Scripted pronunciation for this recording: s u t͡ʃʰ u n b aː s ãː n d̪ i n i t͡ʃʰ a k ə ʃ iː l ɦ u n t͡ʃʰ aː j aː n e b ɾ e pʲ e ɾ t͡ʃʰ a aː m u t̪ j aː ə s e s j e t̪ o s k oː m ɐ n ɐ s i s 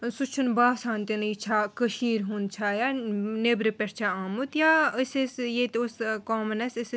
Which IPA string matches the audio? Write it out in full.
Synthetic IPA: s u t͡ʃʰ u n b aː s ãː n t̪ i n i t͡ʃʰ a k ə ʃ iː ɾ ɦ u n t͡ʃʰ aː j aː n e b ɾ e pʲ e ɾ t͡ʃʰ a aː m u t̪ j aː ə s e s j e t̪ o s k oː m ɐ n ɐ s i s